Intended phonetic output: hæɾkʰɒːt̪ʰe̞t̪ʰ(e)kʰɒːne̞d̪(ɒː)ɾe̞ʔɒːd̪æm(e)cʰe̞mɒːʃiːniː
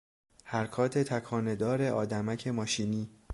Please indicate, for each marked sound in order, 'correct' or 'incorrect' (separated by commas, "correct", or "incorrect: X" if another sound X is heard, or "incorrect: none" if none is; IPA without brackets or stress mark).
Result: incorrect: æ, correct, incorrect: æ